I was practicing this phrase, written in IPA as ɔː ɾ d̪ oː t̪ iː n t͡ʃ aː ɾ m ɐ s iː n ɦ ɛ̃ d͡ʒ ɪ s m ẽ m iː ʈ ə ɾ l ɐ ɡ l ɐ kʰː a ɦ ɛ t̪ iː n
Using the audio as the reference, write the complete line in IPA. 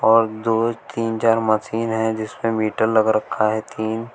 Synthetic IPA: ɔː ɾ d̪ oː t̪ iː n t͡ʃ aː ɾ m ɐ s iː n ɦ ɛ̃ d͡ʒ ɪ s m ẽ m iː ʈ ə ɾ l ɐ ɡ ɾ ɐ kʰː a ɦ ɛ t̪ iː n

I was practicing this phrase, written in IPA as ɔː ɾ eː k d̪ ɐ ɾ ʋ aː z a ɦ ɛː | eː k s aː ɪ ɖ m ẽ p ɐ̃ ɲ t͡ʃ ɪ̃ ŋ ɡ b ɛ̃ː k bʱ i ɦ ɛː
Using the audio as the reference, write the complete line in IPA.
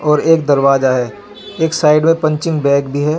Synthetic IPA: ɔː ɾ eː k d̪ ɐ ɾ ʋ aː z a ɦ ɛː | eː k s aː ɪ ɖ m ẽ p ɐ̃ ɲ t͡ʃ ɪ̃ ŋ ɡ b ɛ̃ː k bʱ i ɦ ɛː

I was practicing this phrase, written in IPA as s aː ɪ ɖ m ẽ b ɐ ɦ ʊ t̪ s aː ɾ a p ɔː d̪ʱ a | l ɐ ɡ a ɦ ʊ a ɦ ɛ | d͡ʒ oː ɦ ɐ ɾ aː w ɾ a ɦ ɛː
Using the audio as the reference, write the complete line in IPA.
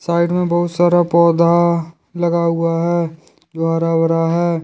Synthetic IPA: s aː ɪ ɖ m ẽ b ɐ ɦ ʊ t̪ s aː ɾ a p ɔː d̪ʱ a | l ɐ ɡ a ɦ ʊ a ɦ ɛ | d͡ʒ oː ɦ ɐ ɾ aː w ɾ a ɦ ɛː

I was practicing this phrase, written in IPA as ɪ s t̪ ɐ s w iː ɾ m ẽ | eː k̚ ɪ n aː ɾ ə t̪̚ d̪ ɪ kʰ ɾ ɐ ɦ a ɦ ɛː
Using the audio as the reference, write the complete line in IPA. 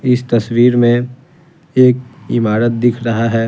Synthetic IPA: ɪ s t̪ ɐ s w iː ɾ m ẽ | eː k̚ ɪ m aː ɾ ə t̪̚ d̪ ɪ kʰ ɾ ɐ ɦ a ɦ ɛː

